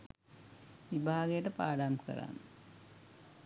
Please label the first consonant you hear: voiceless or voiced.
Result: voiced